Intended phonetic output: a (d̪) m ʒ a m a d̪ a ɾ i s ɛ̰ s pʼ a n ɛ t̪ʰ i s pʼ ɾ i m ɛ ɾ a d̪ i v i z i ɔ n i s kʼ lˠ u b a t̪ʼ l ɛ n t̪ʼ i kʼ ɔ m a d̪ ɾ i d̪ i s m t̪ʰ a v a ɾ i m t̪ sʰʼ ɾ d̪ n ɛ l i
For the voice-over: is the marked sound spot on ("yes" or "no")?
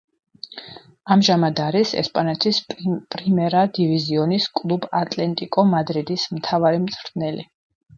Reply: no